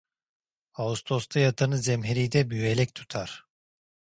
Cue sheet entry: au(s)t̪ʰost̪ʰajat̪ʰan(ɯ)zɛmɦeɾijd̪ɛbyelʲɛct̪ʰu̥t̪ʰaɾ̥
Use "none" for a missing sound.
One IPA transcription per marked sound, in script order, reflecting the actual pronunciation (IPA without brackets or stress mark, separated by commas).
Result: s, ɯ